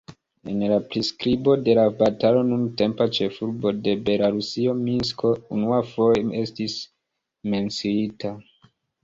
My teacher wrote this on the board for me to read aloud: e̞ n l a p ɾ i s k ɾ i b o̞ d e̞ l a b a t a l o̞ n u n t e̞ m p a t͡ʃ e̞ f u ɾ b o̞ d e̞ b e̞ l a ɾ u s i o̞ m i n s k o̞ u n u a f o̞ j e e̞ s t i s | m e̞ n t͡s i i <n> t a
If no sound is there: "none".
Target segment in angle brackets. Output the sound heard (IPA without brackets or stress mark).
none